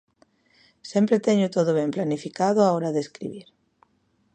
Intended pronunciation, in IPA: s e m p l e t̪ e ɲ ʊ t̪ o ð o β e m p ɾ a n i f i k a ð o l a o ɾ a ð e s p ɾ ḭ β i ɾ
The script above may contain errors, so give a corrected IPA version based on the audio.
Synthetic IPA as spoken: s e m p ɾ e t̪ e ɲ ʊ t̪ o ð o β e m p l a n i f i k a ð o a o ɾ a ð e s k ɾ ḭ β i ɾ